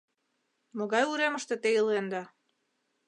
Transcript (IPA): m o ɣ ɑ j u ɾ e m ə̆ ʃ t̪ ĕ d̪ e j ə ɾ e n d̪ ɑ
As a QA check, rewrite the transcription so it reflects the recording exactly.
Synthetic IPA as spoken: m o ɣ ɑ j u ɾ e m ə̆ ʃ t̪ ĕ t̪ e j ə l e n d̪ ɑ